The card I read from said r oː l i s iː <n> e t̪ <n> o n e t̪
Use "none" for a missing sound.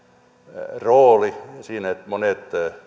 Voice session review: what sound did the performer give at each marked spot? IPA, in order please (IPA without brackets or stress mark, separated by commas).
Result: n, m